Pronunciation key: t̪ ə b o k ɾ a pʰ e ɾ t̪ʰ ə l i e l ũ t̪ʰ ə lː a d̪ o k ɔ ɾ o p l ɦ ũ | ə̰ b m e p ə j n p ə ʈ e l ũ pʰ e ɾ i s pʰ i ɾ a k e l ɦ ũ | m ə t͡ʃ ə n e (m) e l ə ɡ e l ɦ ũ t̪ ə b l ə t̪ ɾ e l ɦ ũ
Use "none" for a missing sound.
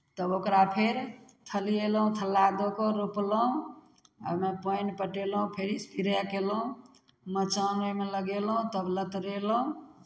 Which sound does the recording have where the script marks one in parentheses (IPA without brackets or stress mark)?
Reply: m